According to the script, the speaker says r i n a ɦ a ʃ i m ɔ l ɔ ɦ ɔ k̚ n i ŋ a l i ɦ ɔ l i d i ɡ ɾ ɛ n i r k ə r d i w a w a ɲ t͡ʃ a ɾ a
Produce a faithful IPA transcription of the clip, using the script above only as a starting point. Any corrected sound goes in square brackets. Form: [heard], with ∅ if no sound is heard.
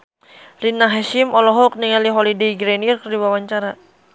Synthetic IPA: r i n a ɦ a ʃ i m ɔ l ɔ ɦ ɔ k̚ n i ŋ a l i ɦ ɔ l i d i ɡ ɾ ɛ n i r k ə r d i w a w a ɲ t͡ʃ a ɾ a

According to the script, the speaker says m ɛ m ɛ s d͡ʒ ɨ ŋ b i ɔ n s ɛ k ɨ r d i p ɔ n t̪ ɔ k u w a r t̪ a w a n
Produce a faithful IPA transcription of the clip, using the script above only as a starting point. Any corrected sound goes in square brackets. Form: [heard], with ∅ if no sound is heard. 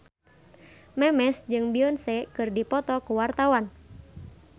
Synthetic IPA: m ɛ m ɛ s d͡ʒ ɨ ŋ b i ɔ n s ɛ k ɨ r d i p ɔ [∅] t̪ ɔ k u w a r t̪ a w a n

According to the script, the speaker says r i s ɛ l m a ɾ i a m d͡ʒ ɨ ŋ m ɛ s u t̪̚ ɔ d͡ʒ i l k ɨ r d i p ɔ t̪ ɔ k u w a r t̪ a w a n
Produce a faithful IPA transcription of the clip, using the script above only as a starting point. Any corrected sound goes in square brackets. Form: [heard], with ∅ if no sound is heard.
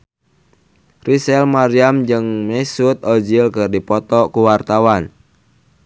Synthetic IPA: r i s ɛ l m a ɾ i a m d͡ʒ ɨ ŋ m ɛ s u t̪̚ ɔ d͡ʒ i l k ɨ r d i p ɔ t̪ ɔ k u w a r t̪ a w a n

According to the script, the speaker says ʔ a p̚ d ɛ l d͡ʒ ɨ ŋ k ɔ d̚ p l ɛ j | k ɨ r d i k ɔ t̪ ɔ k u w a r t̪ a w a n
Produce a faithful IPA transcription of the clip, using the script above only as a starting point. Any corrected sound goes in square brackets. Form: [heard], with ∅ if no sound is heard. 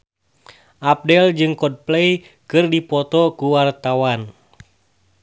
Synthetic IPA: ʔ a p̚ d ɛ l d͡ʒ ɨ ŋ k ɔ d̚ p l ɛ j | k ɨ r d i [p] ɔ t̪ ɔ k u w a r t̪ a w a n

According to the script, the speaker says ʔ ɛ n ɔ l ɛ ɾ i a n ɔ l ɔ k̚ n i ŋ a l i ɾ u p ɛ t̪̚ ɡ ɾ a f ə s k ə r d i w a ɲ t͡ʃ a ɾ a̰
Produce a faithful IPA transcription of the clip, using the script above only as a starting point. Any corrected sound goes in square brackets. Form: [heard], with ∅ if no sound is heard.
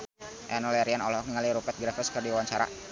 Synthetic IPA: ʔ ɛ n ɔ l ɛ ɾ i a n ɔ l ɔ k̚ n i ŋ a l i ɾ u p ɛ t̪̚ ɡ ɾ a f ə s k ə r d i w a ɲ t͡ʃ a ɾ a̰

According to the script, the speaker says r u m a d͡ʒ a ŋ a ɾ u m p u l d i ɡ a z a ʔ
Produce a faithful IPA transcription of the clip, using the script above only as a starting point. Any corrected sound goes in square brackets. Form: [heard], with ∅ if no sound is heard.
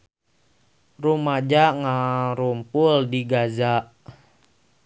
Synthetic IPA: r u m a d͡ʒ a ŋ a ɾ u m p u l d i ɡ a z a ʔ

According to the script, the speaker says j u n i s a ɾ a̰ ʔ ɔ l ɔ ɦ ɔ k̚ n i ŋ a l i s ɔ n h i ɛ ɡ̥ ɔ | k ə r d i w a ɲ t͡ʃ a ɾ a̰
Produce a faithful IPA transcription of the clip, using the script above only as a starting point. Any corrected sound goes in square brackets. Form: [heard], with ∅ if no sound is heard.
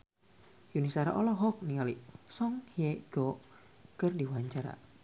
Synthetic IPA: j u n i s a ɾ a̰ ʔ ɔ l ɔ ɦ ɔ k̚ n i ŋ a l i s ɔ [ŋ] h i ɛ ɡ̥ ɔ | k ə r d i w a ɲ t͡ʃ a ɾ a̰

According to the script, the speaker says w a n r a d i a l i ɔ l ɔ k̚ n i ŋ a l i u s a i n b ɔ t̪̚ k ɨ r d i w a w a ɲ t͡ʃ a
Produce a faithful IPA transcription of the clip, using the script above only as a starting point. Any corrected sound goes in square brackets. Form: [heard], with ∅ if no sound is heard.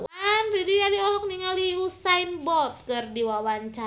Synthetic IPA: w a n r [i] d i a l i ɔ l ɔ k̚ n i ŋ a l i u s a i n b ɔ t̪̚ k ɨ r d i w a w a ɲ t͡ʃ a

